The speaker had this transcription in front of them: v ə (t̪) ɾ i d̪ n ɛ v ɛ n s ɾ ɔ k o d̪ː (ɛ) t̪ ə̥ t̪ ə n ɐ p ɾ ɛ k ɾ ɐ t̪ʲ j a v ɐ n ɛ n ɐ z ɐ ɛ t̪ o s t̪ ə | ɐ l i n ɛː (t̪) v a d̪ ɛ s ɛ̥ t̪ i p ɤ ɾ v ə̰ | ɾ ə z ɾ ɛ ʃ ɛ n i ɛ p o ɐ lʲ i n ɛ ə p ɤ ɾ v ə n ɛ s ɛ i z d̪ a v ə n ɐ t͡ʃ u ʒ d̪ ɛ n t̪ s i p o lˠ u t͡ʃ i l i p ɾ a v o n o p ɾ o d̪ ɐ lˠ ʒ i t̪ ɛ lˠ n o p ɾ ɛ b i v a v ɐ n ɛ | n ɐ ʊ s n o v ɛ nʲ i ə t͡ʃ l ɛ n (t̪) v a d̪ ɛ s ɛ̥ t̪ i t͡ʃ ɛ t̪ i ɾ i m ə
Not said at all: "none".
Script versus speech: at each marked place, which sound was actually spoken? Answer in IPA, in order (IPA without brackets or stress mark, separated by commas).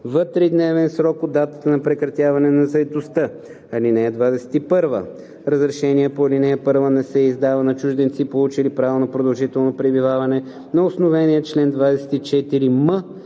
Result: t̪, a, d̪, d̪